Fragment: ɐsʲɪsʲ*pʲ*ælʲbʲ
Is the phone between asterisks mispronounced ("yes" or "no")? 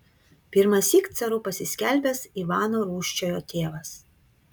yes